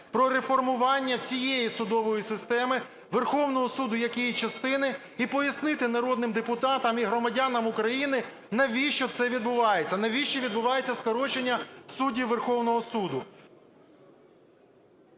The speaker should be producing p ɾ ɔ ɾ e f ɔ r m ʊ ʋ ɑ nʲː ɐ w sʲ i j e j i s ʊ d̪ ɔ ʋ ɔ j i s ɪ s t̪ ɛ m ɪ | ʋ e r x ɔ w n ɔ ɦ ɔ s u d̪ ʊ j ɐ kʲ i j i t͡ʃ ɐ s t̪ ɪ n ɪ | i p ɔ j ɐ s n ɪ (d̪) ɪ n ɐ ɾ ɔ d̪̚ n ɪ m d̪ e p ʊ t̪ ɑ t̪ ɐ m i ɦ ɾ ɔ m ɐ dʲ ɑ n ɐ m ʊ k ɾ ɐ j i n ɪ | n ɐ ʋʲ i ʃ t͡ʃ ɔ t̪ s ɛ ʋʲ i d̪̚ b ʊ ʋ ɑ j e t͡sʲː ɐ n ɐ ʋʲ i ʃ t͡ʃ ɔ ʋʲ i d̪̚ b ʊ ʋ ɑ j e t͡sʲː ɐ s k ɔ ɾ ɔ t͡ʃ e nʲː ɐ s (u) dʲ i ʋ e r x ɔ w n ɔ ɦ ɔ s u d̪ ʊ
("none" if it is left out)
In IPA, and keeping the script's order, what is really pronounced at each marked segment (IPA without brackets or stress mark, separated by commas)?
t̪, u